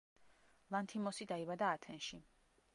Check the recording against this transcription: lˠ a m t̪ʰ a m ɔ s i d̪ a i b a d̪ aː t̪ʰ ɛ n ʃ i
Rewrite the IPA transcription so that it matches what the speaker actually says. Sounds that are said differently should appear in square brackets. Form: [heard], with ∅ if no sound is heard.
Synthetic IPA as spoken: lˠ a [n] t̪ʰ [i] m ɔ s i d̪ a i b a d̪ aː t̪ʰ ɛ n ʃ i